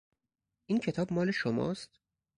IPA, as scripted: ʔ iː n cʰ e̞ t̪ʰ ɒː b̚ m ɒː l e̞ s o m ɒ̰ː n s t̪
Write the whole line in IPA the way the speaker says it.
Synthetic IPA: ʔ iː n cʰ e̞ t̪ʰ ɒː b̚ m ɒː l e̞ ʃ o m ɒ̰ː s t̪